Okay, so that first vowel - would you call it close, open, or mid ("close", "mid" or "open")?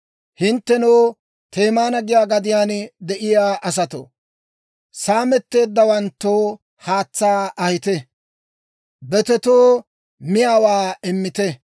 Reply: close